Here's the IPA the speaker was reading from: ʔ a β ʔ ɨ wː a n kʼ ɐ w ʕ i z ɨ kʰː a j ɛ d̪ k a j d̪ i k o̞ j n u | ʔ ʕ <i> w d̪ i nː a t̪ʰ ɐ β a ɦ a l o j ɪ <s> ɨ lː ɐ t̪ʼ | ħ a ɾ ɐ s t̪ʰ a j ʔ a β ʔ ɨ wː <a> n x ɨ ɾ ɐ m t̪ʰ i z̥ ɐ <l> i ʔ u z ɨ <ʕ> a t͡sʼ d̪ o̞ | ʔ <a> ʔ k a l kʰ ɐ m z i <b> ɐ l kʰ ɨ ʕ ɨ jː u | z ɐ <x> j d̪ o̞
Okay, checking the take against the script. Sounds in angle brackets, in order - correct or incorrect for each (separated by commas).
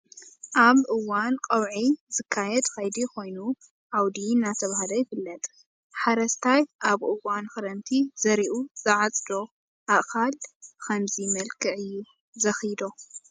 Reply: incorrect, incorrect, correct, incorrect, correct, correct, incorrect, correct